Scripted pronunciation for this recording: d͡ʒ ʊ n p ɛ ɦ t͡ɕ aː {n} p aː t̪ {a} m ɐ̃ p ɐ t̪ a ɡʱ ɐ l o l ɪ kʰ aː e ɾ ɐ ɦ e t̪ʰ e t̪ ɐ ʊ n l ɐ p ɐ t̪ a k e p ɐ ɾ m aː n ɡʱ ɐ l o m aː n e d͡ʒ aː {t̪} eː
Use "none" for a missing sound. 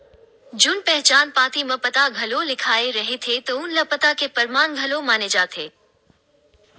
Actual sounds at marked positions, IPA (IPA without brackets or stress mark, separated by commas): n, i, t̪ʰ